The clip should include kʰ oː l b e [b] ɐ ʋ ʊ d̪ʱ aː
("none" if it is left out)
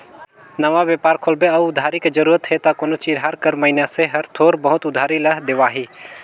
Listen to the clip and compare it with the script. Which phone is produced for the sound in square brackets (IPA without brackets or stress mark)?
none